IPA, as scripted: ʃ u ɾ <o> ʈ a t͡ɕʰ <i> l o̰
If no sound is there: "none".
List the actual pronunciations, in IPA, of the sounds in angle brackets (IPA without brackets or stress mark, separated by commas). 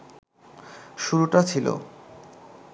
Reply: u, i